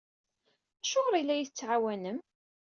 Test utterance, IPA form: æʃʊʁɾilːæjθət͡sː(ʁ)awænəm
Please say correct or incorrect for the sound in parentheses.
incorrect